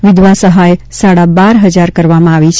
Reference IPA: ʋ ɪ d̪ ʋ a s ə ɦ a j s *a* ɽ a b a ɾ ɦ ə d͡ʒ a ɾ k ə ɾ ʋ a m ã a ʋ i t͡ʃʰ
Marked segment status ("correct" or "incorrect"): correct